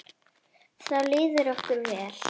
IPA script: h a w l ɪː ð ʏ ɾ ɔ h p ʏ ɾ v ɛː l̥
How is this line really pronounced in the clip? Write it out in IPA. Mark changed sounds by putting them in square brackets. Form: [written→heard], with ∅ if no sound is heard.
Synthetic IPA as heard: [h→θ] a w l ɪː ð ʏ ɾ ɔ h [p→k] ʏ ɾ v ɛː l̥